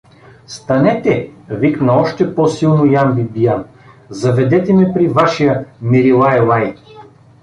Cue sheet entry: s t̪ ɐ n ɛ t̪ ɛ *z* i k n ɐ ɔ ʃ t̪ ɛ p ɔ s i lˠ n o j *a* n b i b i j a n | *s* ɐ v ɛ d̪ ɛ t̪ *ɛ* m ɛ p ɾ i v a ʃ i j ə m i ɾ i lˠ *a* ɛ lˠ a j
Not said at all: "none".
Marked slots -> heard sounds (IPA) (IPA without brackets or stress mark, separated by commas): v, a, z, ɛ, a